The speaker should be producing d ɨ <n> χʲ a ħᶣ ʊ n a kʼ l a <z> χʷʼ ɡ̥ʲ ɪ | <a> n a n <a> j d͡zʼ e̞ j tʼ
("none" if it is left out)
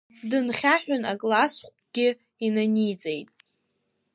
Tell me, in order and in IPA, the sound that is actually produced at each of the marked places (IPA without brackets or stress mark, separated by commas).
n, s, i, i